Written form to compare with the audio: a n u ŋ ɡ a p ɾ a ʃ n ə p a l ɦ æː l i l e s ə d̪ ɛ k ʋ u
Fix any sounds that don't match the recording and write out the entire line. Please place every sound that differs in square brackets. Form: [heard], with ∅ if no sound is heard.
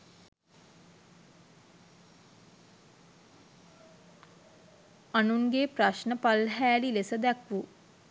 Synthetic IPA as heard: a n u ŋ ɡ [e] p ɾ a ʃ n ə p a l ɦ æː l i l e s ə d̪ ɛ k ʋ u

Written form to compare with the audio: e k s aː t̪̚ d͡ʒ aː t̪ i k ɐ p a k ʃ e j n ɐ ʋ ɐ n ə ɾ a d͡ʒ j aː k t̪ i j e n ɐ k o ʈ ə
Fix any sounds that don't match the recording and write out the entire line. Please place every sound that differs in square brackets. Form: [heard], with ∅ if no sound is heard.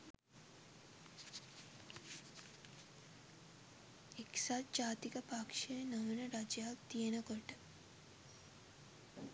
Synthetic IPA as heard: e k s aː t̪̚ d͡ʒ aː t̪ i k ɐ p a k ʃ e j n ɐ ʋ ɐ n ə ɾ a d͡ʒ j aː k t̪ i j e n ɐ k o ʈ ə

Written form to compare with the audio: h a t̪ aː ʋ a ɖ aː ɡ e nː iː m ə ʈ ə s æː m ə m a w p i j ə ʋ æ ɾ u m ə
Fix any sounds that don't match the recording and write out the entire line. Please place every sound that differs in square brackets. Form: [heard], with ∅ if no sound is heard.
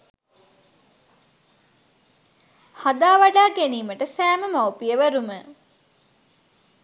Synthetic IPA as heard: h a [d̪] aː ʋ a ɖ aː ɡ e [n] iː m ə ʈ ə s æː m ə m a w p i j ə ʋ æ ɾ u m ə

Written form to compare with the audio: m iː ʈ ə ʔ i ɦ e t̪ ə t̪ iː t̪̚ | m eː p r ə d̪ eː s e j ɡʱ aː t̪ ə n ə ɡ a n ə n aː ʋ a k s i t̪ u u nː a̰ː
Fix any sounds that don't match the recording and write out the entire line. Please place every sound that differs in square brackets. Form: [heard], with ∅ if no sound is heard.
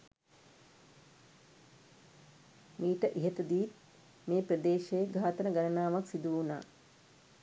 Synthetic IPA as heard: m iː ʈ ə ʔ i ɦ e t̪ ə [d̪] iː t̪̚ | m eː p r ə d̪ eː [ʃ] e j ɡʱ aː t̪ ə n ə ɡ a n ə n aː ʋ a k s i [d̪] u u [n] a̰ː

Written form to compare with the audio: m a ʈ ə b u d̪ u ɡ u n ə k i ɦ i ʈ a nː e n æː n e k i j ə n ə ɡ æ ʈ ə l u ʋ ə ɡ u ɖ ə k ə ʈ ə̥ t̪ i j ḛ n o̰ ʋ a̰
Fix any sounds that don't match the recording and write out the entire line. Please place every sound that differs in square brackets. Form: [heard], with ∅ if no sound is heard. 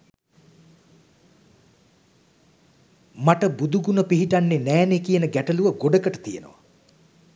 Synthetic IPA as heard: m a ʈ ə b u d̪ u ɡ u n ə [p] i ɦ i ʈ a nː e n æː n e k i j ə n ə ɡ æ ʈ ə l u ʋ ə ɡ [o] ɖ ə k ə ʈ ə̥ t̪ i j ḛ n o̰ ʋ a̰

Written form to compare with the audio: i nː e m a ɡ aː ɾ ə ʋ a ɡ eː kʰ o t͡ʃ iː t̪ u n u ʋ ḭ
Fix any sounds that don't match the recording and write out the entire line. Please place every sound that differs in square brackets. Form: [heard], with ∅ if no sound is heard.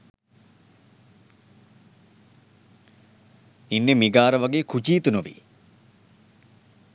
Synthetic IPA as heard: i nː e m [i] ɡ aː ɾ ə ʋ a ɡ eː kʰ [u] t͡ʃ iː t̪ u n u ʋ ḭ

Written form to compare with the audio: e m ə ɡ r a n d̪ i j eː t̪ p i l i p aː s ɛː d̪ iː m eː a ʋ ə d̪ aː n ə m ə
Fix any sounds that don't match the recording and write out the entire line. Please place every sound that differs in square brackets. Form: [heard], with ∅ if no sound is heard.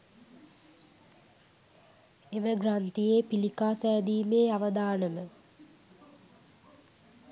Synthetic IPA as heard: e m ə ɡ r a n [t̪] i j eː [∅] p i l i [k] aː s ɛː d̪ iː m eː a ʋ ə d̪ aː n ə m ə

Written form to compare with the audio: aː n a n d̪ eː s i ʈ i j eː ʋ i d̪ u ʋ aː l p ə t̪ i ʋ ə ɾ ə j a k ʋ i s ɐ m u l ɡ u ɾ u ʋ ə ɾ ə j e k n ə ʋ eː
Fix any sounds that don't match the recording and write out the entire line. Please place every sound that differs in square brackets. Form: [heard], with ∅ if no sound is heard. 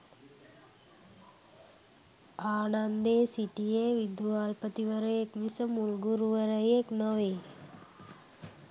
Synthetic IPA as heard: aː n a n d̪ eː s i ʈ i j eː ʋ i d̪ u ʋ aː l p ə t̪ i ʋ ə ɾ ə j [e] k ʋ i s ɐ m u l ɡ u ɾ u ʋ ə ɾ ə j e k n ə ʋ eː

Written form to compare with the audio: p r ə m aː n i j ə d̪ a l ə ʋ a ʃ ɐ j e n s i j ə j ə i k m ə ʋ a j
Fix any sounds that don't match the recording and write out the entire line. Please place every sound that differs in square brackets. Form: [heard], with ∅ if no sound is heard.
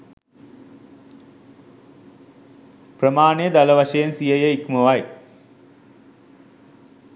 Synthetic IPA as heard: p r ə m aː n [e] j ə d̪ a l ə ʋ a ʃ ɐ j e n s i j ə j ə i k m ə ʋ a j

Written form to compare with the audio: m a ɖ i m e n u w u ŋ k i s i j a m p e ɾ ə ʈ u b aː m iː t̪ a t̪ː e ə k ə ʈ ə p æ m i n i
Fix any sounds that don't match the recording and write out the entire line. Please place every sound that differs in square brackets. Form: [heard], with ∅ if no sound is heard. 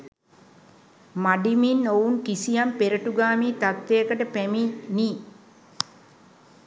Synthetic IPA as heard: m a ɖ i m [i] n [o] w u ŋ k i s i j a m p e ɾ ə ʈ u [ɡ] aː m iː t̪ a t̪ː e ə k ə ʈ ə p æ m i n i

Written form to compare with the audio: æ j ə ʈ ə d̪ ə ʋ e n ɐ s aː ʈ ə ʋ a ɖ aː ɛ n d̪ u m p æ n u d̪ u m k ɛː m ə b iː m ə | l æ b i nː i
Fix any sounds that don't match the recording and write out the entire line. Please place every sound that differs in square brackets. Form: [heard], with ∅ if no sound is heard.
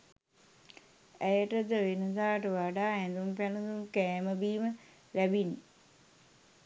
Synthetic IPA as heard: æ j ə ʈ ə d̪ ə ʋ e n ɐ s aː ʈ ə ʋ a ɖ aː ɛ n d̪ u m p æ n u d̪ u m k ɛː m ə b iː m ə | l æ b i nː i

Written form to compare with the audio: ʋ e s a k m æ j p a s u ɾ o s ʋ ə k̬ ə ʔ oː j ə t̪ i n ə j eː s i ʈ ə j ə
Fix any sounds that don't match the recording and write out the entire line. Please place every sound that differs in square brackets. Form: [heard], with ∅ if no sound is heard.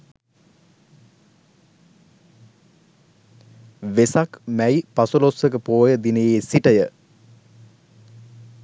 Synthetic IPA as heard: ʋ e s a k m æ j p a s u [l] o s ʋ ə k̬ ə [p] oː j ə [d̪] i n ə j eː s i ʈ ə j ə

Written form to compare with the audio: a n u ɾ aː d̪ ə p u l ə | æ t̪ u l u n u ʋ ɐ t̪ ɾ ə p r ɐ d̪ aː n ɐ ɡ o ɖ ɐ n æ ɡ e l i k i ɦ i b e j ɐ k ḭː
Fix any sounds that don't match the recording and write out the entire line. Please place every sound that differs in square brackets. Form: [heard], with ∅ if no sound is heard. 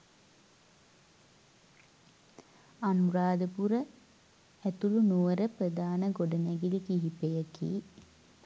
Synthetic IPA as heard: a n u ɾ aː d̪ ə p u [ɾ] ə | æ t̪ u l u n u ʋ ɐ [∅] ɾ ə p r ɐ d̪ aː n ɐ ɡ o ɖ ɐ n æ ɡ [i] l i k i ɦ i [p] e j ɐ k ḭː

